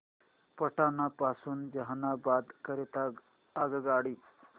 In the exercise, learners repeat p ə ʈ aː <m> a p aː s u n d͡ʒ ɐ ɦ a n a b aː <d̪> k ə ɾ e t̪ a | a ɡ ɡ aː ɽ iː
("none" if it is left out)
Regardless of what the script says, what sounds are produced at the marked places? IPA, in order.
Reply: n, d̪

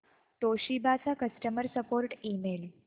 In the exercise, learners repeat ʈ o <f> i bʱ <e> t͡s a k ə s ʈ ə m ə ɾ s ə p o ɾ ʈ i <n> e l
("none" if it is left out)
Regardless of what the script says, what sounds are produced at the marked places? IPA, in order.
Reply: ɕ, a, m

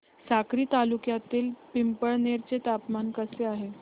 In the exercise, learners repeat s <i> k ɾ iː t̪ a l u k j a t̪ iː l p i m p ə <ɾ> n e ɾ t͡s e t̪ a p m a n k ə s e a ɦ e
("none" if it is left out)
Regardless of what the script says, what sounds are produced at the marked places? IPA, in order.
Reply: a, ɭ

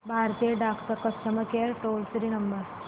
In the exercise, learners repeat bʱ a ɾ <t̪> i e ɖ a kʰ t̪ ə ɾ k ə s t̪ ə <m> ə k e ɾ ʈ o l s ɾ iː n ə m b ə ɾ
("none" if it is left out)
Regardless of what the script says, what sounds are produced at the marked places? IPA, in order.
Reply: t̪, m

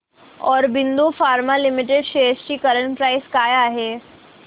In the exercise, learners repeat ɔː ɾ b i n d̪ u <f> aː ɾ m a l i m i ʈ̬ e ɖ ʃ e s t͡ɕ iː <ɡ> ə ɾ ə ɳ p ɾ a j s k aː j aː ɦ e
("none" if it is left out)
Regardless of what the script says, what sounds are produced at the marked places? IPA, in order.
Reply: f, k

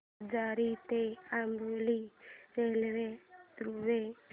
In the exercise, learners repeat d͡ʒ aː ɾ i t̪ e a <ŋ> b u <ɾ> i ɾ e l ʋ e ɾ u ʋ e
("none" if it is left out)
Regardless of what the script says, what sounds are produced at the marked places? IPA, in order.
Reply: m, l

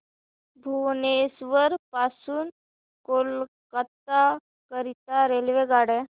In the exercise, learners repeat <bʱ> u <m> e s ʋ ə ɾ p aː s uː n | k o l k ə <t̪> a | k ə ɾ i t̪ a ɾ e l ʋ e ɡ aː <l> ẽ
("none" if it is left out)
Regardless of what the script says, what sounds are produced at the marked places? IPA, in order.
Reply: bʱ, n, t̪, ɽ

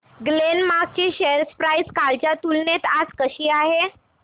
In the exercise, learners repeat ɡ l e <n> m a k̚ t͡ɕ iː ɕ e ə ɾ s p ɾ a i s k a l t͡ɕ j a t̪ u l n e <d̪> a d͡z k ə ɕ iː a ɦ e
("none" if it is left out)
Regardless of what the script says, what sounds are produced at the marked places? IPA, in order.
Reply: n, t̪

